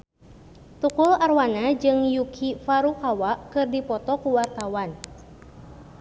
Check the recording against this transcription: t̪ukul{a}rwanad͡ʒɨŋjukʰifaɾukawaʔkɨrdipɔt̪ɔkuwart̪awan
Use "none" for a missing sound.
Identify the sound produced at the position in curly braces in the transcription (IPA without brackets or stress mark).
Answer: a